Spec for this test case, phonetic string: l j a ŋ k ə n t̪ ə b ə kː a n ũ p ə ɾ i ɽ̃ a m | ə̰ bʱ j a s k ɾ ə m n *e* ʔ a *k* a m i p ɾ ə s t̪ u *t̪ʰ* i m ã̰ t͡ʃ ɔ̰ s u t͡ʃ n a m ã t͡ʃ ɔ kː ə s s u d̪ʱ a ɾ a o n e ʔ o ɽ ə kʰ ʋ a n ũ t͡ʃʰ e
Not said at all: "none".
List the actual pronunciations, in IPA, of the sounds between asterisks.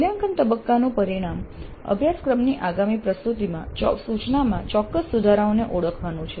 i, ɡ, t̪

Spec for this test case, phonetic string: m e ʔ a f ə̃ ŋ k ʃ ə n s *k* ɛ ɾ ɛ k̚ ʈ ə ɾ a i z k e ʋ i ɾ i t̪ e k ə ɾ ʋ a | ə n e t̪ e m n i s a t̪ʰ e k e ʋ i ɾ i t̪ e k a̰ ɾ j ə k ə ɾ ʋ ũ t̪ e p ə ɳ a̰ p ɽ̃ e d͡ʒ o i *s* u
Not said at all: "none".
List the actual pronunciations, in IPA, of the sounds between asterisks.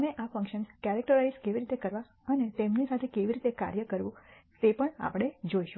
k, ʃ

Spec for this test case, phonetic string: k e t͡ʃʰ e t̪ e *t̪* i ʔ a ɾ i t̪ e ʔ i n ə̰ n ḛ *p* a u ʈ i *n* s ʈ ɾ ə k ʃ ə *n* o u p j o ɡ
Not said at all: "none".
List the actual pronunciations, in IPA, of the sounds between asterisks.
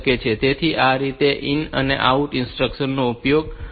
t̪ʰ, ʔ, n, nː

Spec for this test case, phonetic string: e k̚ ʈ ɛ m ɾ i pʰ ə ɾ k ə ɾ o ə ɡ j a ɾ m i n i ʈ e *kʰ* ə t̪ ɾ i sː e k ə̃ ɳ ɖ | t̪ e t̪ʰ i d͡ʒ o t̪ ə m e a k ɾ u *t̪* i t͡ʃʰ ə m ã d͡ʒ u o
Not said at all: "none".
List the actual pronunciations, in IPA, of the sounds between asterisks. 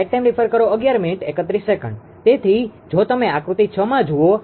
k, t̪

